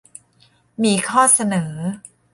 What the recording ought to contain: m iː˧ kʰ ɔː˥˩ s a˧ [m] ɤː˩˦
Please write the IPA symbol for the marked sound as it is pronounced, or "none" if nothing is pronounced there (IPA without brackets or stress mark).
n